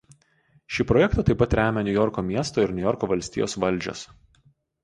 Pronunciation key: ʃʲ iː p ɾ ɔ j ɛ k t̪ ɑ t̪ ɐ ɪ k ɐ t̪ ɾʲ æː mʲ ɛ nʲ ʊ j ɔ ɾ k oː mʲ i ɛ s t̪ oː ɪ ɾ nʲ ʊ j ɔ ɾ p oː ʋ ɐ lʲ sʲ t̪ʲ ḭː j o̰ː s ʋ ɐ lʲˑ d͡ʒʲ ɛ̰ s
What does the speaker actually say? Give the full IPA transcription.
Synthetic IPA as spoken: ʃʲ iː p ɾ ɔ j ɛ k t̪ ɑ t̪ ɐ ɪ p ɐ t̪ ɾʲ æː mʲ ɛ nʲ ʊ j ɔ ɾ k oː mʲ i ɛ s t̪ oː ɪ ɾ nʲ ʊ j ɔ ɾ k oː ʋ ɐ lʲ sʲ t̪ʲ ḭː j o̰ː s ʋ ɐ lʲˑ d͡ʒʲ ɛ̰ s